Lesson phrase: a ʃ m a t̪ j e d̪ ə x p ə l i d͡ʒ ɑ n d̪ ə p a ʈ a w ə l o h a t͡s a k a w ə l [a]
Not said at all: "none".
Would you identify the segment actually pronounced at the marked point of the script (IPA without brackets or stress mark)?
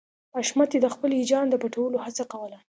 a